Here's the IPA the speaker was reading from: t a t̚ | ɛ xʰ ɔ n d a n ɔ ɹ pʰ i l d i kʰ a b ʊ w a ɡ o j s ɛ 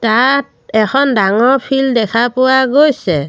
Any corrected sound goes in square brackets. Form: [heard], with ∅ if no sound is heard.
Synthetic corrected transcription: t a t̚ | ɛ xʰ ɔ n d a [ŋ] ɔ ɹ pʰ i l d [ɛ] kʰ a [p] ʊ w a ɡ o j s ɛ